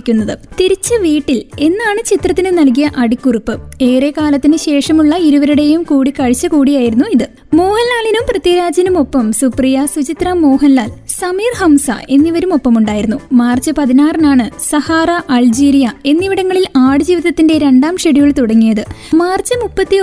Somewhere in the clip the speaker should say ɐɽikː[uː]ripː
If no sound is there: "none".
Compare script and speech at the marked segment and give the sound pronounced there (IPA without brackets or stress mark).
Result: u